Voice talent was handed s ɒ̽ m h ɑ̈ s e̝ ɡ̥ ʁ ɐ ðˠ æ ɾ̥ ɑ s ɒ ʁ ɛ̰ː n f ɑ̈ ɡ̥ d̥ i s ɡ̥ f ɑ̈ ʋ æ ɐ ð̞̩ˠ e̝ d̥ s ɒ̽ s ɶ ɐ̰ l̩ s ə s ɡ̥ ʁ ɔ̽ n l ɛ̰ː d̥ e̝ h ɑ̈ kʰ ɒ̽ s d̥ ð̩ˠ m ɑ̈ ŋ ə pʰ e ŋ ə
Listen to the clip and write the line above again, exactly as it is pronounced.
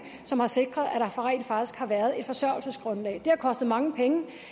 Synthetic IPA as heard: s ɒ̽ m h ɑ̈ s e̝ ɡ̥ ʁ ɐ ðˠ æ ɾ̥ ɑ f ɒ ʁ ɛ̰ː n f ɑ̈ ɡ̥ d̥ i s ɡ̥ h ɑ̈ ʋ æ ɐ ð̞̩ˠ e̝ d̥ f ɒ̽ s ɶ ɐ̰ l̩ s ə s ɡ̥ ʁ ɔ̽ n l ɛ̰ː d̥ e̝ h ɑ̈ kʰ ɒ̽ s d̥ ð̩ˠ m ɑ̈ ŋ ə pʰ e ŋ ə